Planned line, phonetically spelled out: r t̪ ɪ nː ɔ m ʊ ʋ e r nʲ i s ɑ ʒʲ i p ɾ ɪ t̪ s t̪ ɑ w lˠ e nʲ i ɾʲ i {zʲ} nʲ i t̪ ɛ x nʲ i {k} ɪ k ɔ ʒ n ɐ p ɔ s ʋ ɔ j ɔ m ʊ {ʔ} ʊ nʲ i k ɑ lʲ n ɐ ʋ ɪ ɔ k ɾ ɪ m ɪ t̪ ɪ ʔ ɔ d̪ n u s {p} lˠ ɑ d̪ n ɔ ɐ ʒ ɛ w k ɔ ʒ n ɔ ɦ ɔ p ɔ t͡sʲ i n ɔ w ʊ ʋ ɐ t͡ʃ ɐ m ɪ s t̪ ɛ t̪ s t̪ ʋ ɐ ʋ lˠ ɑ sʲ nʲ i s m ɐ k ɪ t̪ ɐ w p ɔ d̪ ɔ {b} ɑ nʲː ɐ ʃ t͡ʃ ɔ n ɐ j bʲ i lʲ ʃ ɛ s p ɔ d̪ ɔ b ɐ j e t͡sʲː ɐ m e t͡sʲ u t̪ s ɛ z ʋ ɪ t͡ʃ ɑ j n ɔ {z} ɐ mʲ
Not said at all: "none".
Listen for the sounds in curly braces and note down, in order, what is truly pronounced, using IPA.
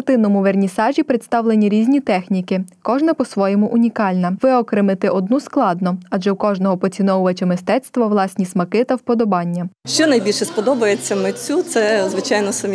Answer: zʲ, k, ʔ, k, b, s

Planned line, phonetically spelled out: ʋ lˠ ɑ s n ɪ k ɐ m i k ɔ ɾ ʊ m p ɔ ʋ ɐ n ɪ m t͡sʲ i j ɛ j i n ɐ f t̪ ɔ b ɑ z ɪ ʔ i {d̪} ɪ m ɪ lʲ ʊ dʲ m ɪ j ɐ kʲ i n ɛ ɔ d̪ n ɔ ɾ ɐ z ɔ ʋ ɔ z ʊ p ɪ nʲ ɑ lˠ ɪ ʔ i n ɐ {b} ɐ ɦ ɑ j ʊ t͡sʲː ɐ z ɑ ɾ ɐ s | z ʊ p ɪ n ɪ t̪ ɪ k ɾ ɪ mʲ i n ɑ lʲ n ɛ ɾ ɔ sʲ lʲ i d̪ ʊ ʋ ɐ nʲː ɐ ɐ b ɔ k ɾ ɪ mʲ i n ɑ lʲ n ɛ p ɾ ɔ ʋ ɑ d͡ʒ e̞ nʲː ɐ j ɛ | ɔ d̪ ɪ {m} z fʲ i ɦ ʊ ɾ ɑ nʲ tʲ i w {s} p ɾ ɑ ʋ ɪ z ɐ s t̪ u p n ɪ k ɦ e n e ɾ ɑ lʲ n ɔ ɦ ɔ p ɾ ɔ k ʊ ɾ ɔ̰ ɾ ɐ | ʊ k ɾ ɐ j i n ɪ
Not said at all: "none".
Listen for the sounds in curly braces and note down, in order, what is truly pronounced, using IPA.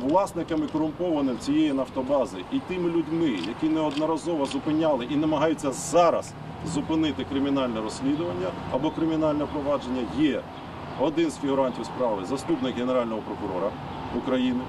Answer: t̪, m, n, s

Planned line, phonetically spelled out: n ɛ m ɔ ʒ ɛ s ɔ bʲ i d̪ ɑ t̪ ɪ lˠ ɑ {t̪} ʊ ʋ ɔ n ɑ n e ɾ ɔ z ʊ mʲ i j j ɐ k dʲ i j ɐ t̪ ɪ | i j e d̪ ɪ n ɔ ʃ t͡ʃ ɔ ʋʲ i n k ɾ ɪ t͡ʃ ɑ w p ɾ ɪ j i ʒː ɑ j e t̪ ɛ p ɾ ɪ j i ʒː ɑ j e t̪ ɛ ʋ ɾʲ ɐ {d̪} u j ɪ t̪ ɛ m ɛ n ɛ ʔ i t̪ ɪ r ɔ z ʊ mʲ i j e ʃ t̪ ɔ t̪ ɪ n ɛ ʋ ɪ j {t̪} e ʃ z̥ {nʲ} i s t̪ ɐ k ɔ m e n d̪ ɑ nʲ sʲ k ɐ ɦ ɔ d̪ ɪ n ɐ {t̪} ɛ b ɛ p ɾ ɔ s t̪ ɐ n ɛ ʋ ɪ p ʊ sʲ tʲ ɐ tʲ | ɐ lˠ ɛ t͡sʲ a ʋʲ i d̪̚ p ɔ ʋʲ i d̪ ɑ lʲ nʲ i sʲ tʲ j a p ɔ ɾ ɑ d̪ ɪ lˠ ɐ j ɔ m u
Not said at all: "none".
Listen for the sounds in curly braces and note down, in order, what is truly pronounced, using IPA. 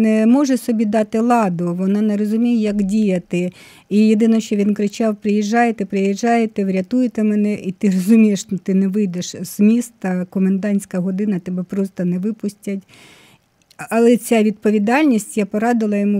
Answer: d̪, t̪, d̪, mʲ, t̪

